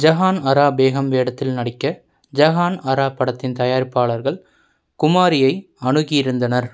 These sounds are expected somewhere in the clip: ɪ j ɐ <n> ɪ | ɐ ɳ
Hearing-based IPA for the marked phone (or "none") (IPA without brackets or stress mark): none